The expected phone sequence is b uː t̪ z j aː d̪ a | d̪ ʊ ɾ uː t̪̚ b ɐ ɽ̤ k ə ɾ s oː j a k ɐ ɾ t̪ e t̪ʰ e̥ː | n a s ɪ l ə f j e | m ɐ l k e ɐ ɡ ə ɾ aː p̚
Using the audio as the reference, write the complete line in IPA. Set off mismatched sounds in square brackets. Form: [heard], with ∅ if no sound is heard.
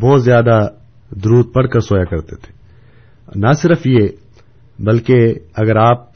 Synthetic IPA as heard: b [ɔː] t̪ z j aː d̪ a | d̪ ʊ ɾ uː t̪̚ [p] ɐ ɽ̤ k ə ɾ s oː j a k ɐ ɾ t̪ e t̪ʰ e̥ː | n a s ɪ [ɾ] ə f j e | [b] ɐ l k e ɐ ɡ ə ɾ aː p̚